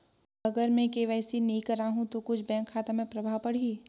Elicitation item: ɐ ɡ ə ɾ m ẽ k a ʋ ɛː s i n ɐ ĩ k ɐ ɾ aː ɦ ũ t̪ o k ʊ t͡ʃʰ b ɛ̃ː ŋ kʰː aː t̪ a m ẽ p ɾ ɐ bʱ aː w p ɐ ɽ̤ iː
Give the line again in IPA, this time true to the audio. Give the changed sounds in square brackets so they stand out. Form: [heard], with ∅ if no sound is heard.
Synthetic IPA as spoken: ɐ ɡ ə ɾ m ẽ k [e] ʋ ɛː s i n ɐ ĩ k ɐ ɾ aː ɦ ũ t̪ o k ʊ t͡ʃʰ b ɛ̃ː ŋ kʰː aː t̪ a m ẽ p ɾ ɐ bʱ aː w p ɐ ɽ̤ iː